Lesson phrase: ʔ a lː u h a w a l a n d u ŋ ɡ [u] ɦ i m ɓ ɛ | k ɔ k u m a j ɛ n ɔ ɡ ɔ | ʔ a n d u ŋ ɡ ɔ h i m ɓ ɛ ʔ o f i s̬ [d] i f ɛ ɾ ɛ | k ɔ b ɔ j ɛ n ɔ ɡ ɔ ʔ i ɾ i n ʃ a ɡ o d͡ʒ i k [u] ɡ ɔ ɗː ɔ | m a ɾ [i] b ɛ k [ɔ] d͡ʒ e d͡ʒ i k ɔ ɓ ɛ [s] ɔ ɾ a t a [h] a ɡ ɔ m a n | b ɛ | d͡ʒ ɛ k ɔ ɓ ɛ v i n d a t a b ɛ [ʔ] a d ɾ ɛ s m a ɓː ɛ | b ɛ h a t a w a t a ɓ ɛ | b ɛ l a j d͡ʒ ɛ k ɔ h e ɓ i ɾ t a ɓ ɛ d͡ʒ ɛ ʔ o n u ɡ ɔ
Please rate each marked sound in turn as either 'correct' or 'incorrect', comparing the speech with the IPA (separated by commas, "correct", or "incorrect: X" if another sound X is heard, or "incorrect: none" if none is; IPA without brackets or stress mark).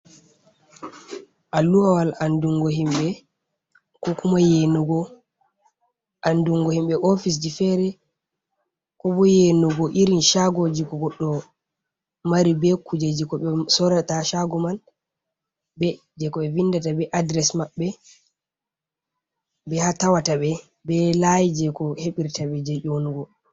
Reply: incorrect: ɔ, incorrect: d͡ʒ, incorrect: ɔ, correct, incorrect: u, correct, incorrect: ʃ, correct